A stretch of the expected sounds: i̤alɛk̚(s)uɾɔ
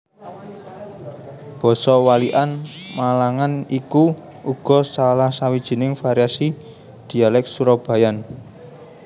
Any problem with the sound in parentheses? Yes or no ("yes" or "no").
no